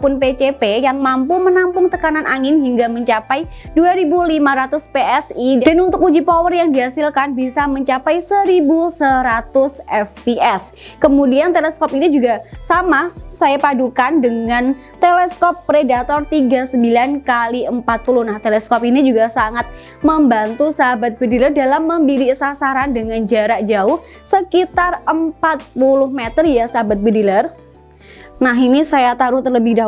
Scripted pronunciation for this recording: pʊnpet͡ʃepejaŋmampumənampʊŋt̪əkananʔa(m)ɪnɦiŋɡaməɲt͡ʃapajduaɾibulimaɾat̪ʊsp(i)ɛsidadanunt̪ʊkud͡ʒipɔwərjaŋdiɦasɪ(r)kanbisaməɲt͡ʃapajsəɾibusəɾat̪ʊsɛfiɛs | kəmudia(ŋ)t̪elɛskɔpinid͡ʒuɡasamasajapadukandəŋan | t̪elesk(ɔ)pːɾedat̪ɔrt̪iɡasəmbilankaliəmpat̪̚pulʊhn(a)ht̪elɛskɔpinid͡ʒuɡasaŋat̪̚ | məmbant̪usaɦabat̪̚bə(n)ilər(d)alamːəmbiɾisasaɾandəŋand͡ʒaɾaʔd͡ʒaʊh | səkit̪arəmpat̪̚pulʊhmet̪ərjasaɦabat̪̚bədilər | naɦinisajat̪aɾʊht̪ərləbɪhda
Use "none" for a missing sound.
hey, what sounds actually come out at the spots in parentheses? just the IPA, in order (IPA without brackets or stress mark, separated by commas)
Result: ŋ, e, l, n, ɔ, a, d, d